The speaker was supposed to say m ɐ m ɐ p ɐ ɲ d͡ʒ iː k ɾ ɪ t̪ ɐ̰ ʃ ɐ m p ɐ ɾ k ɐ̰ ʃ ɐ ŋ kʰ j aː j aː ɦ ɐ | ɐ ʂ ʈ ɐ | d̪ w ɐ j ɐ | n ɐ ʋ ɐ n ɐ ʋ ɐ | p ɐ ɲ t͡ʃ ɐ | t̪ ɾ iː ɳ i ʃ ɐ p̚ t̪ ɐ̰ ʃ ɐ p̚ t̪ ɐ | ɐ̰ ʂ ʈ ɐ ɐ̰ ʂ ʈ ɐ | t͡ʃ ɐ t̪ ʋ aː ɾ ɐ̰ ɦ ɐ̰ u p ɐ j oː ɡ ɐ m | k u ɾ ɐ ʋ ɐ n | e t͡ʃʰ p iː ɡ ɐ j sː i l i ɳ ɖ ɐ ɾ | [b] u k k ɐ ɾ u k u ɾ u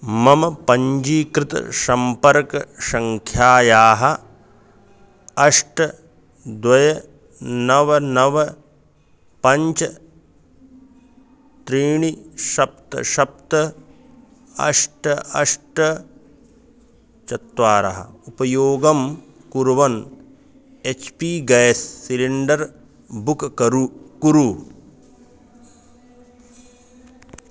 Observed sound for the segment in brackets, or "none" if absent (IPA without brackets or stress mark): b